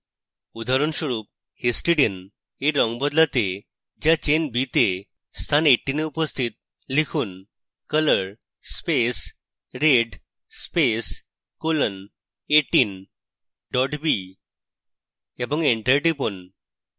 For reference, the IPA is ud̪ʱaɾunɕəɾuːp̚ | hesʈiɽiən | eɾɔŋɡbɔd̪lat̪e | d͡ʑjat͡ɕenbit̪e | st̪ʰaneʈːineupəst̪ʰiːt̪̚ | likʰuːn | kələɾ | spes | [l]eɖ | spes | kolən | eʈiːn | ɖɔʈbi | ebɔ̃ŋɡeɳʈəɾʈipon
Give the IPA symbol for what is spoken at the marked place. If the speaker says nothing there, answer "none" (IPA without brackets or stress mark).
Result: ɾ